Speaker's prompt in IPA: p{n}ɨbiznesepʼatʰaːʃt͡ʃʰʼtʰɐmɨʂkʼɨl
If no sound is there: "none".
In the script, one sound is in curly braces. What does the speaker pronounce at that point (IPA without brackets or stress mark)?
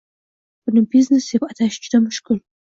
n